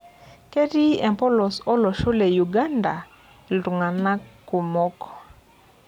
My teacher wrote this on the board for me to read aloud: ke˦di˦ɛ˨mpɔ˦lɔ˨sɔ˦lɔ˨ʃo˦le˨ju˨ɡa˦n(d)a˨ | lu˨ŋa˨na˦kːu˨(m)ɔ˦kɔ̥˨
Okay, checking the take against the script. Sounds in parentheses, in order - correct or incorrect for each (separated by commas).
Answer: correct, correct